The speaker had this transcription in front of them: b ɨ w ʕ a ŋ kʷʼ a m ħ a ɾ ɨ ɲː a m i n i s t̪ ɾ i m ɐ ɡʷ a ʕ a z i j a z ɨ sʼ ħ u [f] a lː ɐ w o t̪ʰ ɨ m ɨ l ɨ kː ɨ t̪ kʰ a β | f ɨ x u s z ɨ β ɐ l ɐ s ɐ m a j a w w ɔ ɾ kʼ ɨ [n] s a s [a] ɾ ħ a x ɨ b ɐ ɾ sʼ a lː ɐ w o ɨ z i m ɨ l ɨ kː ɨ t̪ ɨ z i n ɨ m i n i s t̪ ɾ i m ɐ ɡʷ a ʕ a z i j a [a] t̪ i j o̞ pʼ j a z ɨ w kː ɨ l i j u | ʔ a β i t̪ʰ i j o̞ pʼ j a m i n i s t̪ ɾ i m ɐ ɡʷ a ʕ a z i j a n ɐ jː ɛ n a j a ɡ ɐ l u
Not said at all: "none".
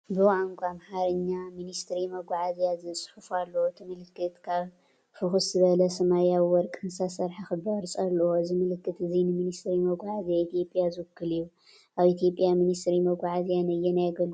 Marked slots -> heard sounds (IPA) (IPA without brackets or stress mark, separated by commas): f, n, ɐ, i